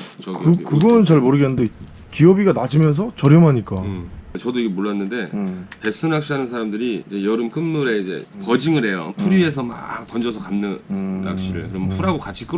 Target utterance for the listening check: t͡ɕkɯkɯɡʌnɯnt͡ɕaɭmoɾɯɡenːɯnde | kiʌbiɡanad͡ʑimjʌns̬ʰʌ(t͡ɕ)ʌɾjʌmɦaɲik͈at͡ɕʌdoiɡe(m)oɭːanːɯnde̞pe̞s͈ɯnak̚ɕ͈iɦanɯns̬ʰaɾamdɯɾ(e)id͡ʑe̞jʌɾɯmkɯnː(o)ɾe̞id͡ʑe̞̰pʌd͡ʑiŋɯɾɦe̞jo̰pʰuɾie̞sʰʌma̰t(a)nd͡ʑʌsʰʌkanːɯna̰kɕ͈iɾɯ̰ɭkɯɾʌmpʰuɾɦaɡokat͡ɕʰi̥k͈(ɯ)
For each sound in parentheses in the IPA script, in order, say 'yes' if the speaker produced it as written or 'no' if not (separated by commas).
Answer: yes, yes, no, no, no, yes